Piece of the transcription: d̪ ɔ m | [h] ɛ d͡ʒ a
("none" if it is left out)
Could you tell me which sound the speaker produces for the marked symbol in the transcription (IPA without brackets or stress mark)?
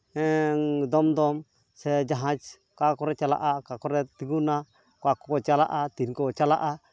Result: s